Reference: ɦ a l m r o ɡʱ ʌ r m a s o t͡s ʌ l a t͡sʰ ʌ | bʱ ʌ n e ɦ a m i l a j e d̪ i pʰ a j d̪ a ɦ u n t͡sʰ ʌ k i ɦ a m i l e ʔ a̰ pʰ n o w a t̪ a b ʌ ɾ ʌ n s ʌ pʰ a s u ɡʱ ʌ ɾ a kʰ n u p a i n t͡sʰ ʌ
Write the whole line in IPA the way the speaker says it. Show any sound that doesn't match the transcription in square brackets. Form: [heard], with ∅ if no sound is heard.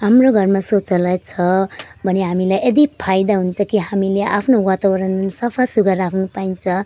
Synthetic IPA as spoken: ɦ a [∅] m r o ɡʱ ʌ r m a s o t͡s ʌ l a t͡sʰ ʌ | bʱ ʌ n e ɦ a m i l a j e d̪ i pʰ a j d̪ a ɦ u n t͡sʰ ʌ k i ɦ a m i l e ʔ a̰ pʰ n o w a t̪ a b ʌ ɾ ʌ n s ʌ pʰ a s u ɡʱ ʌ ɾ a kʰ n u p a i n t͡sʰ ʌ